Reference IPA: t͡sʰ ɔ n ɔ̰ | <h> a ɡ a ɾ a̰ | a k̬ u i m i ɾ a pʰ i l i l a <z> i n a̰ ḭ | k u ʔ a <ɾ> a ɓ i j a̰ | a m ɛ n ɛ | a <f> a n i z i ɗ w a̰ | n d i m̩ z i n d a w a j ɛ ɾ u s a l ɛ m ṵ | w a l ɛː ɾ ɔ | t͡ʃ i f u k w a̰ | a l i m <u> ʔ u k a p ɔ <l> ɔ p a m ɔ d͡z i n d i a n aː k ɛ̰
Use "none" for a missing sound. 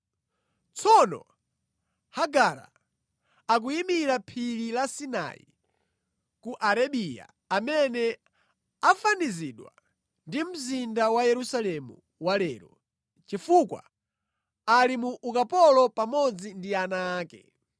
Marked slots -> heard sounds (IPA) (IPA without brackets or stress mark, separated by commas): h, s, ɾ, f, u, l